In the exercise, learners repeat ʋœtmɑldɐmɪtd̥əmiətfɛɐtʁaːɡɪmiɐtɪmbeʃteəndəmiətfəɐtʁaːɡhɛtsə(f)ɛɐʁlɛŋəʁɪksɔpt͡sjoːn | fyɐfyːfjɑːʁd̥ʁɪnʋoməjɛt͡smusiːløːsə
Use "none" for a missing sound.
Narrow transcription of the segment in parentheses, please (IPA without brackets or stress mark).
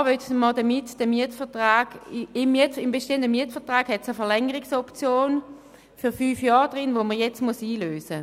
f